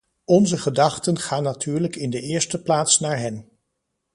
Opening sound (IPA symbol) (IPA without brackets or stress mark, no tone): ɔ